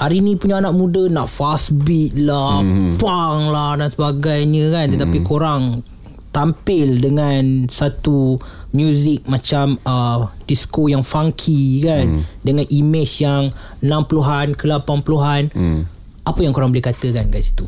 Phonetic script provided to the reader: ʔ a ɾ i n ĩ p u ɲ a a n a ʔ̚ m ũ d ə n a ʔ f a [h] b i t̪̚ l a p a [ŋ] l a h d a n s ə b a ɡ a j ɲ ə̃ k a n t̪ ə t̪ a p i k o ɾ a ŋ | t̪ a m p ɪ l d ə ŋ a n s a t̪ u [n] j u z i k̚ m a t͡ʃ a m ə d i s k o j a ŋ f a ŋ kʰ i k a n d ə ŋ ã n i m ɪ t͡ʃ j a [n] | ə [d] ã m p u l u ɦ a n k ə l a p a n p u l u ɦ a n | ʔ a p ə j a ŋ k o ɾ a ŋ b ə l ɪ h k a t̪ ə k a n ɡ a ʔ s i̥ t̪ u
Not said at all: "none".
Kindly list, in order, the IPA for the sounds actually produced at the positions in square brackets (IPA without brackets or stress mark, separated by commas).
s, ŋ, m, ŋ, n